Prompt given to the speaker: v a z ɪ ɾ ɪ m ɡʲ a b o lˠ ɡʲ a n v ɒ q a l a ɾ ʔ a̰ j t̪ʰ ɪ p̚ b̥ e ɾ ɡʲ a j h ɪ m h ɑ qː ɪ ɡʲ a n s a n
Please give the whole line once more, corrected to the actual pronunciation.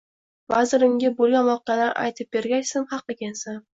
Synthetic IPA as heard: v a z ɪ ɾ ɪ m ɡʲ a b o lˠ ɡʲ a n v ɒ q a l a ɾ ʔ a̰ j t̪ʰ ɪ p̚ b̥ e ɾ ɡʲ a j s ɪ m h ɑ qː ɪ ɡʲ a n s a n